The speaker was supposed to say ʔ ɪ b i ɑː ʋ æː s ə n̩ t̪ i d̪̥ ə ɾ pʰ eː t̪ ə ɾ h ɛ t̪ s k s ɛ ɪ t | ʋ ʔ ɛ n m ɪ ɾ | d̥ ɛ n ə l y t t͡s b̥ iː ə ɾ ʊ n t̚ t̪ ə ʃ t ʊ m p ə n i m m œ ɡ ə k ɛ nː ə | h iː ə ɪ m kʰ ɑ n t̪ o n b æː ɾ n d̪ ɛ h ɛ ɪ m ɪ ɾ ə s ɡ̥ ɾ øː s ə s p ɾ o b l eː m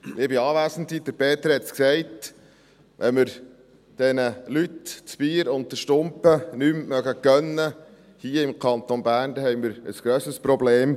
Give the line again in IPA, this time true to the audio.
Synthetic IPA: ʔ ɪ b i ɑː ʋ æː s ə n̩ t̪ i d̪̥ ə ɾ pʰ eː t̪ ə ɾ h ɛ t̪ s k s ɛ ɪ t | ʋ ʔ ɛ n m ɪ ɾ | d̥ ɛ n ə l y t t͡s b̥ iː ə ɾ ʊ n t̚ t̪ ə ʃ t ʊ m p ə n y m m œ ɡ ə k œ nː ə | h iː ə ɪ m kʰ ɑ n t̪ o n b æː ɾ n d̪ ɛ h ɛ ɪ m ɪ ɾ ə s ɡ̥ ɾ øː s ə s p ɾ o b l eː m

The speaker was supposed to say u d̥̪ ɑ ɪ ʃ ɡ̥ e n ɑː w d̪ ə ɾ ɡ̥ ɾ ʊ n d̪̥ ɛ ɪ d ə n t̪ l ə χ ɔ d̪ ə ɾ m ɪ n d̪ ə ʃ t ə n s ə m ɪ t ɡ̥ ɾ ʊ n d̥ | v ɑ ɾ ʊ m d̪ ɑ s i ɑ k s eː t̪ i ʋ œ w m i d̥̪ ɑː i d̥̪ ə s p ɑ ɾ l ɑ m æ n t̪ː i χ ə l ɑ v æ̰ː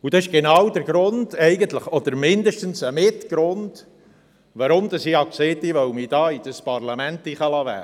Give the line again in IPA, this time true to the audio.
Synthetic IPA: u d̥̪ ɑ ɪ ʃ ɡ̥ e n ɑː w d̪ ə ɾ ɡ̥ ɾ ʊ n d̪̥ ɛ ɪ ɡ ə n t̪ l ə χ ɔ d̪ ə ɾ m ɪ n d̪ ə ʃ t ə n s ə m ɪ t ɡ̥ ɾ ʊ n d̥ | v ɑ ɾ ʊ m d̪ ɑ s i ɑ k s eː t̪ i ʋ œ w m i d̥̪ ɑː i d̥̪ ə s p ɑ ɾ l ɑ m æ n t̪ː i χ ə l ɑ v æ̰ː

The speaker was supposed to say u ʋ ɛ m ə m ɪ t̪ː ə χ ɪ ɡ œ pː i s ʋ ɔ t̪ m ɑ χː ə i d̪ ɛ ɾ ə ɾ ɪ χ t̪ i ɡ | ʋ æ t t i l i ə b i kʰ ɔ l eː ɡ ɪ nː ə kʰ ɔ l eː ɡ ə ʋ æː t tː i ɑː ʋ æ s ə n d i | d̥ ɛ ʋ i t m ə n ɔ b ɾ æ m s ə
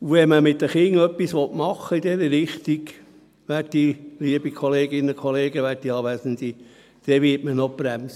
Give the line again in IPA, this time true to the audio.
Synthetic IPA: u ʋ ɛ m ə m ɪ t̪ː ə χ ɪ ŋ œ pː i s ʋ ɔ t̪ m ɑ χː ə i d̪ ɛ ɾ ə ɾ ɪ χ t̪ i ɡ | ʋ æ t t i l i ə b i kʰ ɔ l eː ɡ ɪ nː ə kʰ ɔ l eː ɡ ə ʋ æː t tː i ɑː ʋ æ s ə n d i | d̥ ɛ ʋ ɪ t m ə n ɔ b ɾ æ m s ə

